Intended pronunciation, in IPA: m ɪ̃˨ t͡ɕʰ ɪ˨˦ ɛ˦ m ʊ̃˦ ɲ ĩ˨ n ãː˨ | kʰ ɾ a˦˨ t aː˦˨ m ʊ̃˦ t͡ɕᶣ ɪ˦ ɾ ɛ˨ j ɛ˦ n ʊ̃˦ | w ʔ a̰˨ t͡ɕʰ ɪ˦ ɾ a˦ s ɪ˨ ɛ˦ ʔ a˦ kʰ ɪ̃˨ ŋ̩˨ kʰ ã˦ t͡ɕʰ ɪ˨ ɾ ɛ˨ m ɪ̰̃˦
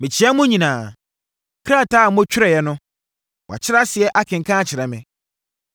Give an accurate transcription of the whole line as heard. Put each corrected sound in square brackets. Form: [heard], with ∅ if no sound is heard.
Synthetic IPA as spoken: m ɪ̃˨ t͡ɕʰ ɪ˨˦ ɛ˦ m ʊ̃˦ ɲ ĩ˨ n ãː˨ | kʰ ɾ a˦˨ t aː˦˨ m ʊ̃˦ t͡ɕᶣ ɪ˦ ɾ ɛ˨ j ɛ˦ n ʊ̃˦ | w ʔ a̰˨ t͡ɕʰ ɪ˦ ɾ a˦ s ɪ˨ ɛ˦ ʔ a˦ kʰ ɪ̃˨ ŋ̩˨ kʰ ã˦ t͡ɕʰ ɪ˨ ɾ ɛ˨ m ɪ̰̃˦